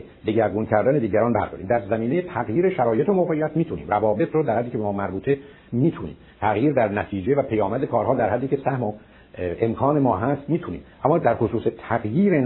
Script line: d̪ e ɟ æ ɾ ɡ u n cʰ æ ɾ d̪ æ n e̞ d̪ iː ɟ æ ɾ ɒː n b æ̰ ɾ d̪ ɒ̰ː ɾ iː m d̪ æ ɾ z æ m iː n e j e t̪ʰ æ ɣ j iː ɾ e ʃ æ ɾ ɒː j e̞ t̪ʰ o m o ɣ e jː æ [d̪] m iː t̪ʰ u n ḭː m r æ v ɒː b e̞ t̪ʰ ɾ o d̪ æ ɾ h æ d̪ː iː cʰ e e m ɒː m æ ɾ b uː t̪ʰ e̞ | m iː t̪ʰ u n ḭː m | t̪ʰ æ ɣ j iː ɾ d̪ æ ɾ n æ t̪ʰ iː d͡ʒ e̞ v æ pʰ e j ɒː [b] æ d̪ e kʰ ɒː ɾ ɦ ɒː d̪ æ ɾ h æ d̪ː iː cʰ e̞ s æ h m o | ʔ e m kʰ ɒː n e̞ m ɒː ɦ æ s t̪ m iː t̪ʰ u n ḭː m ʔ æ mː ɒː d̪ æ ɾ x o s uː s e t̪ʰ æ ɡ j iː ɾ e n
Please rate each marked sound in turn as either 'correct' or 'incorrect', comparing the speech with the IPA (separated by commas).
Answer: incorrect, incorrect